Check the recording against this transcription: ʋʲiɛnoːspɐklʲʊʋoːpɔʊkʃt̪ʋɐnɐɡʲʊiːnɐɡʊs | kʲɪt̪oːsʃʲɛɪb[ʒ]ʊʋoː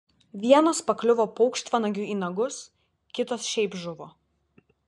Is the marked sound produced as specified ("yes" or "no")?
yes